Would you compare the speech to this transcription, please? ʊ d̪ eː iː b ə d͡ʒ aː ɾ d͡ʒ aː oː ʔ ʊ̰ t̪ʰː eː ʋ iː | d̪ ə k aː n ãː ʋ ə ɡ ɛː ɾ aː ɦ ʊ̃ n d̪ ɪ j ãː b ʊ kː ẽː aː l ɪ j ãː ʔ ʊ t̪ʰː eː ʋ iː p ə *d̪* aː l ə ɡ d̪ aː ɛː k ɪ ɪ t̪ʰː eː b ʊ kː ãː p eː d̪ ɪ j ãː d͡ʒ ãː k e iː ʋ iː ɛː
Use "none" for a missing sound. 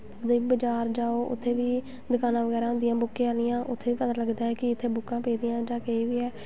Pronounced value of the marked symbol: t̪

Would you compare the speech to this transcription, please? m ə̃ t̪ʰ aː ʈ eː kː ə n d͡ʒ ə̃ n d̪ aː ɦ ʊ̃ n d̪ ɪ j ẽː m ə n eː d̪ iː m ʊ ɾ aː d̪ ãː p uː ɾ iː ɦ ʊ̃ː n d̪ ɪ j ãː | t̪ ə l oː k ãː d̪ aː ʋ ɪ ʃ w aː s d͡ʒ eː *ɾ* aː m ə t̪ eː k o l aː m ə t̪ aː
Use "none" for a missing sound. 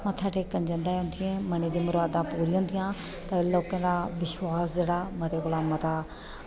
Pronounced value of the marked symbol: ɽ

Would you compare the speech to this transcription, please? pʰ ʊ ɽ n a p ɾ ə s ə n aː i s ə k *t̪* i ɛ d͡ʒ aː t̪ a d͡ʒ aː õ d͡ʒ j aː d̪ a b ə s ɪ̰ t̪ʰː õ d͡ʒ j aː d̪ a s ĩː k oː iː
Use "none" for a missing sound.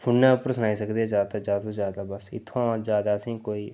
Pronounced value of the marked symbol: d̪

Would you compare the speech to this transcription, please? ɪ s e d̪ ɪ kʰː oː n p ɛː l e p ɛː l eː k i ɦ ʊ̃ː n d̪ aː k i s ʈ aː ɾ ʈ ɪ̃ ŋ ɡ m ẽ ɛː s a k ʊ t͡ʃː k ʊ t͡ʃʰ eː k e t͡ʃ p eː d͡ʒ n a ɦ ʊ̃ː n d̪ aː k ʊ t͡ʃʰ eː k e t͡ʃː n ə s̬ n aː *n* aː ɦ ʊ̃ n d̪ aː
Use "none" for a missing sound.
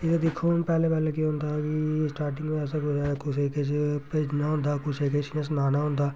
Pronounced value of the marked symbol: n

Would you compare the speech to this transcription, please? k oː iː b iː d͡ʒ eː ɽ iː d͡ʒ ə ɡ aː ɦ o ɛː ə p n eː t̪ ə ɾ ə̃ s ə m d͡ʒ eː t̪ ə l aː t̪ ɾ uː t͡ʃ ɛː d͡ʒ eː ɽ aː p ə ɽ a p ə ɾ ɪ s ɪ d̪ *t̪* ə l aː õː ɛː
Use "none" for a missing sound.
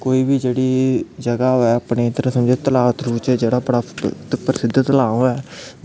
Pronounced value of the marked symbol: t̪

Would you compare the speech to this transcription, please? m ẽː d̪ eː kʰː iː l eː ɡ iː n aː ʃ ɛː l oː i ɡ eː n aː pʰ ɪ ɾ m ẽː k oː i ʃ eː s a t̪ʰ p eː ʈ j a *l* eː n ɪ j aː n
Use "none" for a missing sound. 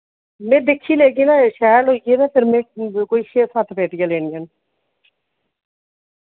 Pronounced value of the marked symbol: l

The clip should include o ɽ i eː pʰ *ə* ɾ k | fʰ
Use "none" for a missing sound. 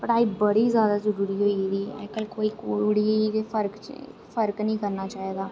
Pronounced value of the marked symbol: ə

